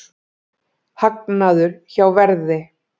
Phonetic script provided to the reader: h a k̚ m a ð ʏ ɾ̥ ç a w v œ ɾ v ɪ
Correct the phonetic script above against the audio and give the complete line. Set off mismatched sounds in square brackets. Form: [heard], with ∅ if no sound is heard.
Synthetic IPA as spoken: h a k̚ [n] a ð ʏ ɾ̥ ç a w v [ɛ] ɾ [ð] ɪ